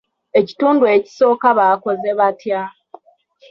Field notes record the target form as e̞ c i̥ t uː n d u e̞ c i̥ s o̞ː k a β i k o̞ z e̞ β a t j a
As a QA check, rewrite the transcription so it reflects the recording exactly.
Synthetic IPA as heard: e̞ c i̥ t uː n d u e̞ c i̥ s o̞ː k a β a k o̞ z e̞ β a t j a